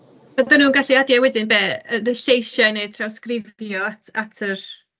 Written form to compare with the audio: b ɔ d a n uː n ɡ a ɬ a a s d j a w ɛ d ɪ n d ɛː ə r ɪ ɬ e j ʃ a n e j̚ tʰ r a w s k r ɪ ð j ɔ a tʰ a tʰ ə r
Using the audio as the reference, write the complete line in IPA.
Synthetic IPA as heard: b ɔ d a n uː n ɡ a ɬ i a d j a w ɛ d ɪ n b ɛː ə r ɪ ɬ e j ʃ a n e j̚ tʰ r a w s k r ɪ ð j ɔ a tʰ a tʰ ə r